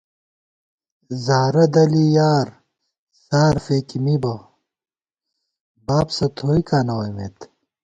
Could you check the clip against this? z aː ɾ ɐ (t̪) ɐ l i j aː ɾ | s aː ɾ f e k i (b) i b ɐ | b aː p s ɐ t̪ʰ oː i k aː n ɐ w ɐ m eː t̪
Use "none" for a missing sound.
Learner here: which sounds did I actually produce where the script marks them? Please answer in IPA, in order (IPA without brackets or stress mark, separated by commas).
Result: d̪, m